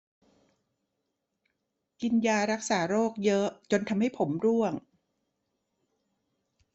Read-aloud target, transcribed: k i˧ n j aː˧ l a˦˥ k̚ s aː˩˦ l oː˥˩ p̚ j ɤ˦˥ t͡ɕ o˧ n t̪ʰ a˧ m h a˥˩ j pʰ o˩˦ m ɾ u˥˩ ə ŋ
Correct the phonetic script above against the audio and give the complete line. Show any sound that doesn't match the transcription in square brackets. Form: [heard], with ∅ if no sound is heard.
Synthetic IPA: k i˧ n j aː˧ [ɾ] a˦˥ k̚ s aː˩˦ [ɾ] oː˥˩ [k̚] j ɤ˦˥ t͡ɕ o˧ n t̪ʰ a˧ m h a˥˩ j pʰ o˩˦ m ɾ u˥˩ ə ŋ